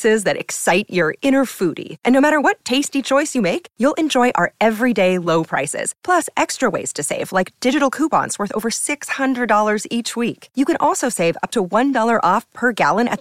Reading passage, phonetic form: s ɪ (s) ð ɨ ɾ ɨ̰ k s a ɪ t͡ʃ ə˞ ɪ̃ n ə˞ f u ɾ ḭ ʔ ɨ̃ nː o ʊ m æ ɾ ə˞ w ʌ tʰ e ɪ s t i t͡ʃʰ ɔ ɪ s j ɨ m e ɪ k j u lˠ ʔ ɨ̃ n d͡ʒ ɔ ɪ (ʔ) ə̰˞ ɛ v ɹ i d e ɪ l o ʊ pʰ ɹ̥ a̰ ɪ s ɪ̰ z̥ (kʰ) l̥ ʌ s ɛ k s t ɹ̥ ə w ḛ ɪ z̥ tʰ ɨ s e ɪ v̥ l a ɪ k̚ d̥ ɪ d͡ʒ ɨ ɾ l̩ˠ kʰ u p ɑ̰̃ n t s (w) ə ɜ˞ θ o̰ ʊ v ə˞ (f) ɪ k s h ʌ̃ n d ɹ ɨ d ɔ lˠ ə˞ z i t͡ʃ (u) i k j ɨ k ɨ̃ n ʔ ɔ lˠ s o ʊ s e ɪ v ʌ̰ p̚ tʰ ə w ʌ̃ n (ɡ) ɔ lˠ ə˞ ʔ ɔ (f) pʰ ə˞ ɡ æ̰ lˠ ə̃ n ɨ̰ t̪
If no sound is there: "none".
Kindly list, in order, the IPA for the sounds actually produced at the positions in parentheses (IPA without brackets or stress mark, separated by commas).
z, ʔ, pʰ, w, s, w, d, f